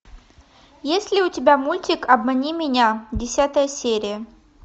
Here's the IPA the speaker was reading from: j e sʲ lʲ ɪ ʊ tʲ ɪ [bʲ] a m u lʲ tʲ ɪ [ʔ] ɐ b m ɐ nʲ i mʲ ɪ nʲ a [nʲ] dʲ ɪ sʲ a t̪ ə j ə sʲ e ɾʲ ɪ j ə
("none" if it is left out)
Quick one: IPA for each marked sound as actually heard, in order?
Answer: bʲ, k, none

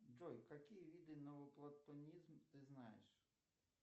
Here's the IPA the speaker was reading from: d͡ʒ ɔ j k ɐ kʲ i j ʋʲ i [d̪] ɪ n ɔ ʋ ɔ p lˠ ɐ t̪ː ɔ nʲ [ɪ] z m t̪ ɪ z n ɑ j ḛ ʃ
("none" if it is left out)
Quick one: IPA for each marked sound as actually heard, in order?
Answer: d̪, i

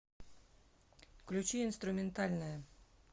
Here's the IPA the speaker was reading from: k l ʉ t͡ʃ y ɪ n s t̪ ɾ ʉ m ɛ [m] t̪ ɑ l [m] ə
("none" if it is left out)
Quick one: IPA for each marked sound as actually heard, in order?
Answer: n, n

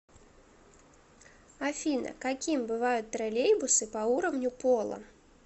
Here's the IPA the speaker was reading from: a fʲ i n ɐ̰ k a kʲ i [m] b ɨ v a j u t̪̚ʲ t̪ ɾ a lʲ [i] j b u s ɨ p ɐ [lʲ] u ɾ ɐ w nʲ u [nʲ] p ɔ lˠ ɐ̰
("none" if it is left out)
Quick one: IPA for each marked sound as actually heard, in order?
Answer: m, e, none, none

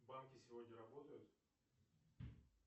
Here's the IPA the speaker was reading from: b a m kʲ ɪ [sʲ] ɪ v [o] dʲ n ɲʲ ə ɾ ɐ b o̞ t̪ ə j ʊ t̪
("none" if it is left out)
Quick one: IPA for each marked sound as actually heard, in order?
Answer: sʲ, o

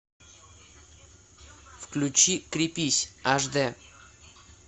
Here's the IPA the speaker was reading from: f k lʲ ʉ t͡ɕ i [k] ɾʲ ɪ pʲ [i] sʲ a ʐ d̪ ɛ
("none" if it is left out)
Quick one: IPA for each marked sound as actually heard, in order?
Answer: k, i

